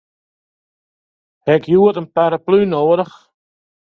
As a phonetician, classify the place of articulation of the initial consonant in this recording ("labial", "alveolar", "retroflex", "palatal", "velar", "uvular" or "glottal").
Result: glottal